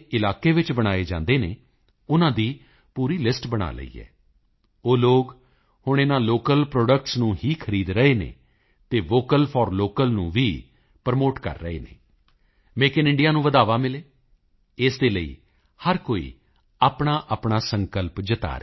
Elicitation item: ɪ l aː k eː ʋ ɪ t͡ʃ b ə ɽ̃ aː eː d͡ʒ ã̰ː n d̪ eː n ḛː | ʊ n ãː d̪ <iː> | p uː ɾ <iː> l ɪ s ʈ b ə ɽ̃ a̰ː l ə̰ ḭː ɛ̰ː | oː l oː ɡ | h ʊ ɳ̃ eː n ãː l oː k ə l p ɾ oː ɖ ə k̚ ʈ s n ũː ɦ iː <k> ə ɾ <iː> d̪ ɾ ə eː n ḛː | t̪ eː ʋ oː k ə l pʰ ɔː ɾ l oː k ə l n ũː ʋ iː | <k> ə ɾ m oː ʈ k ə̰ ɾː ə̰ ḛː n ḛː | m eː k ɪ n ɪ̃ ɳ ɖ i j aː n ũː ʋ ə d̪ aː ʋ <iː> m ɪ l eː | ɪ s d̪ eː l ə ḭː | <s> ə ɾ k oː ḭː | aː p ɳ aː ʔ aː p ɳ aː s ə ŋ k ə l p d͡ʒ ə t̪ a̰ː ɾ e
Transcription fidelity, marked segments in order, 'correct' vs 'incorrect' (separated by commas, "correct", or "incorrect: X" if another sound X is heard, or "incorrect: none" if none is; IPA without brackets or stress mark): correct, correct, incorrect: kʰ, correct, incorrect: p, incorrect: aː, incorrect: h